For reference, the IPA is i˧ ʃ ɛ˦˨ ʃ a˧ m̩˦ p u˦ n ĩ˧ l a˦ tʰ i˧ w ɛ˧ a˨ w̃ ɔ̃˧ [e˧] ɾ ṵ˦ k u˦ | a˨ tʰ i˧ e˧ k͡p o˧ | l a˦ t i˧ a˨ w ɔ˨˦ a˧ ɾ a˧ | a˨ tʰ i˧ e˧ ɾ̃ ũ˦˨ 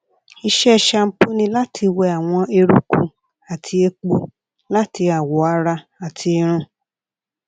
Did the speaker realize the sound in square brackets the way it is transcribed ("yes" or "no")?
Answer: yes